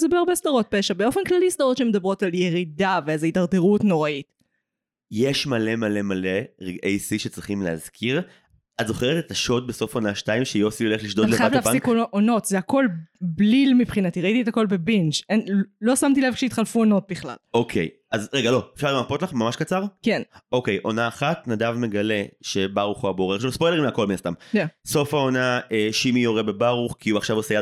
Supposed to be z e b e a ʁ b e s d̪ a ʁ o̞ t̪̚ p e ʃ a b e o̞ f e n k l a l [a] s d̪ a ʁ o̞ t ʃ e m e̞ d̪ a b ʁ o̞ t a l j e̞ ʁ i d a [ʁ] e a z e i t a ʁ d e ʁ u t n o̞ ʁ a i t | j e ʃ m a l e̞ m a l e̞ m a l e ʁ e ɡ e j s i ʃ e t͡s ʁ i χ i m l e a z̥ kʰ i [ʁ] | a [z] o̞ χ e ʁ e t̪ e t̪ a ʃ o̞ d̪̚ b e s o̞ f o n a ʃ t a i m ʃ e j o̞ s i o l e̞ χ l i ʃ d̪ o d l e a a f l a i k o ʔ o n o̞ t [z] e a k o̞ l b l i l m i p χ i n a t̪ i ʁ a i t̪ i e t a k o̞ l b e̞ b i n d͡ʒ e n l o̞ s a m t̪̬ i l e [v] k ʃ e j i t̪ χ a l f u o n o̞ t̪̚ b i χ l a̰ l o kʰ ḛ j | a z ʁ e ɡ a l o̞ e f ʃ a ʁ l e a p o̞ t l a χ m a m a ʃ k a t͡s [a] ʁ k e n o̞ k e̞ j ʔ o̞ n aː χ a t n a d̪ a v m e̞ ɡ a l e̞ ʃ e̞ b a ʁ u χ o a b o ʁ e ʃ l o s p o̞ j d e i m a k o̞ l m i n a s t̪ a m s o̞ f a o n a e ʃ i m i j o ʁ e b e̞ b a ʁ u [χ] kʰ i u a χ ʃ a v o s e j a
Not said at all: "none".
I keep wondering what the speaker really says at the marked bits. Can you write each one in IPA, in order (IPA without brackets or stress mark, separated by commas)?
i, v, ʁ, z, z, v, a, χ